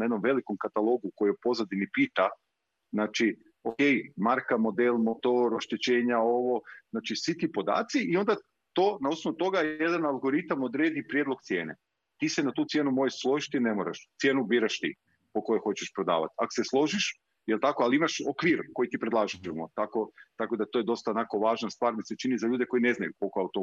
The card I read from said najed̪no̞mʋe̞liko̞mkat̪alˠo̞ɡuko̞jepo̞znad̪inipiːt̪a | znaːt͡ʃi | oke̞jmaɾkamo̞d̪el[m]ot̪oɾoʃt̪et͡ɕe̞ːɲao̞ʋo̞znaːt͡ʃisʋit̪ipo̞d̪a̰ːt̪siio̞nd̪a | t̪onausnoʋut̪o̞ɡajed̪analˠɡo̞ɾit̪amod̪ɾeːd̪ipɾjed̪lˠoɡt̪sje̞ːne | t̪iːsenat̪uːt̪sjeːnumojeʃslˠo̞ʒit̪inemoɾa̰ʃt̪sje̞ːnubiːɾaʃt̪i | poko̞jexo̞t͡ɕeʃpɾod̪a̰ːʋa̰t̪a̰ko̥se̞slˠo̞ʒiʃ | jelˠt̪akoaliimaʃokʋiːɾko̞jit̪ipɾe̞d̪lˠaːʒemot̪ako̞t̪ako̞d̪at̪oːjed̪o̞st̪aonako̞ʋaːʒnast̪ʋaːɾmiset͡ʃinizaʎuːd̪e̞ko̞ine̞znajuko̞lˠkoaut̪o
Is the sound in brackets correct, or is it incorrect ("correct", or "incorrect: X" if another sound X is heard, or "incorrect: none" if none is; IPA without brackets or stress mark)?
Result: correct